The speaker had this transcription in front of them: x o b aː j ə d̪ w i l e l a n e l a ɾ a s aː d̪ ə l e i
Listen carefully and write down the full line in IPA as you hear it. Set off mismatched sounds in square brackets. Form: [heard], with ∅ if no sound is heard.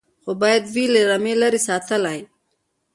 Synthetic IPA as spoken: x o b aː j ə d̪ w i l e [ɾ] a [m] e l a ɾ [i] s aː [t̪] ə l [a] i